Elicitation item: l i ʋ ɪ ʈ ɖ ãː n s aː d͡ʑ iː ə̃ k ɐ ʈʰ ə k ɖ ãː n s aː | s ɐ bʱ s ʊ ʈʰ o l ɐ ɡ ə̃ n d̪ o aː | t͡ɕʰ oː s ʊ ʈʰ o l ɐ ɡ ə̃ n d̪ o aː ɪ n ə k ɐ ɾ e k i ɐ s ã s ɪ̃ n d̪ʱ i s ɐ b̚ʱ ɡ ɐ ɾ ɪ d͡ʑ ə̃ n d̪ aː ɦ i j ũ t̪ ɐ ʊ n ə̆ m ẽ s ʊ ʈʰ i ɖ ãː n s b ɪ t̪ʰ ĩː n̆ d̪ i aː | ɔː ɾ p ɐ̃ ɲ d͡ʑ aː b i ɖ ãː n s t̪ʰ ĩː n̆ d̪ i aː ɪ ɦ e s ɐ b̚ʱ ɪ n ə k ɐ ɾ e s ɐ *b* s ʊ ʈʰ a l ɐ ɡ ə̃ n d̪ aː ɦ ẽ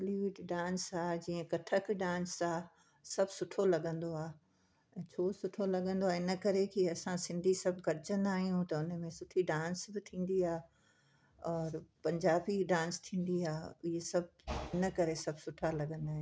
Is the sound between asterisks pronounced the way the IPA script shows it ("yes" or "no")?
yes